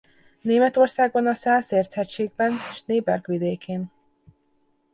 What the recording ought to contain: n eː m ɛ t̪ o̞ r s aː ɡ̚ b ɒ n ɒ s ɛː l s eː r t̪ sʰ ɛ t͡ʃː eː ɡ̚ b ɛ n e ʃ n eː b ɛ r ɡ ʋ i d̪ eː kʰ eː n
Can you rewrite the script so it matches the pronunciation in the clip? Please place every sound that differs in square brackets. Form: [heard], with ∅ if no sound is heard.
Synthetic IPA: n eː m ɛ t̪ o̞ r s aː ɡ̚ b ɒ n ɒ s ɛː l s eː r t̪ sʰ ɛ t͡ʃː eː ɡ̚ b ɛ n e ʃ n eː b ɛ r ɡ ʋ i d̪ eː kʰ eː n